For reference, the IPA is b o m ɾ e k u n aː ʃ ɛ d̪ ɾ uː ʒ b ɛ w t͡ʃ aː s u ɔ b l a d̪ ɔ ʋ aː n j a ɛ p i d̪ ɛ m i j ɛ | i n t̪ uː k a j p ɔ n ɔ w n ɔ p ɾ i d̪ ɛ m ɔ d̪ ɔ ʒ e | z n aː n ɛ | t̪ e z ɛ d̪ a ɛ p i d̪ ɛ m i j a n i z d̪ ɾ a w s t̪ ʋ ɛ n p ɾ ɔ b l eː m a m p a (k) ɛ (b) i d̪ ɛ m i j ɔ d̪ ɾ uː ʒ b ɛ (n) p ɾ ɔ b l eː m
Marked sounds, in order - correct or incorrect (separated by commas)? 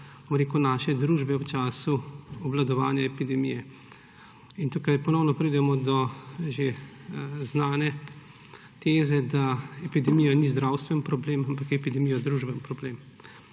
correct, incorrect, correct